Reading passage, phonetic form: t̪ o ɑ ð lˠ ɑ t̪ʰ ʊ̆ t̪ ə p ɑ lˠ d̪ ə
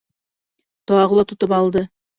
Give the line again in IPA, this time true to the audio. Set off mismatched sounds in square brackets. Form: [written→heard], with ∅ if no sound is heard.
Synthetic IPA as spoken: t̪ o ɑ [ð→ʁ] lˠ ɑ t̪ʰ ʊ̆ t̪ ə p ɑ lˠ d̪ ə

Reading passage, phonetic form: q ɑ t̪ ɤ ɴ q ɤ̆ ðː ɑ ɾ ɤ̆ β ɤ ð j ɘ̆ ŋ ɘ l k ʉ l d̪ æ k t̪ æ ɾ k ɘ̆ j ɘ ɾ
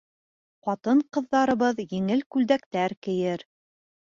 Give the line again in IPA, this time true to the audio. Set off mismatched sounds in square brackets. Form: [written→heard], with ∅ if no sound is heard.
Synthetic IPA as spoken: q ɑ t̪ ɤ ɴ q ɤ̆ ðː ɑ ɾ ɤ̆ β ɤ ð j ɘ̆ ŋ ɘ l k ʉ l d̪ æ k t̪ æ ɾ k ɘ̆ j ɘ ɾ

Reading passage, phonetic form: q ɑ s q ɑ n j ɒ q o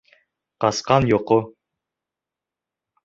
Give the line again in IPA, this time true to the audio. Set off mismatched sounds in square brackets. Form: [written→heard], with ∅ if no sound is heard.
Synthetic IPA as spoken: q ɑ s q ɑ n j [ɒ→o] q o

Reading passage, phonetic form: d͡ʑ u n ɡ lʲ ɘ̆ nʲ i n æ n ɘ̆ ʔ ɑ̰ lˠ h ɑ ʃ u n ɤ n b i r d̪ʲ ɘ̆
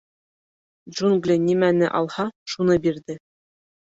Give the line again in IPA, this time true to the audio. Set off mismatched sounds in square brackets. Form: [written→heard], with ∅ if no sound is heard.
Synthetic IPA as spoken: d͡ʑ u n ɡ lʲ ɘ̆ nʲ i [n→m] æ n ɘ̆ ʔ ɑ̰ lˠ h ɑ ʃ u n ɤ [n→∅] b i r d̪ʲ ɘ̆

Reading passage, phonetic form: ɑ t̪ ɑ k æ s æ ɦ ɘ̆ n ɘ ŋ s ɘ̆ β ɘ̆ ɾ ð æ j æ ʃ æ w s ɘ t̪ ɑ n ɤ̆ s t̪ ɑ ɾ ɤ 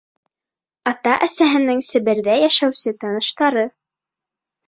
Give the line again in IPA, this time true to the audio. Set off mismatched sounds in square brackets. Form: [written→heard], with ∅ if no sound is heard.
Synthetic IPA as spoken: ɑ t̪ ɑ [k→ʔ] æ s æ ɦ ɘ̆ n ɘ ŋ s ɘ̆ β ɘ̆ ɾ ð æ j æ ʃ æ w s ɘ t̪ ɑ n ɤ̆ [s→ʃ] t̪ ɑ ɾ ɤ

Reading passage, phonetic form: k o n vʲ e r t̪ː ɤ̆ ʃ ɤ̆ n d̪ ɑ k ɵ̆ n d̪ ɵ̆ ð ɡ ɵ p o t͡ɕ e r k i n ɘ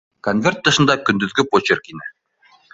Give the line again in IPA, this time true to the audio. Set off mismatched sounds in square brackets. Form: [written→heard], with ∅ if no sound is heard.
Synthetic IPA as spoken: k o n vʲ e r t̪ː ɤ̆ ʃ ɤ̆ n d̪ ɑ k ɵ̆ n d̪ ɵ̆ ð ɡ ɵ p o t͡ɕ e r k i n ɘ

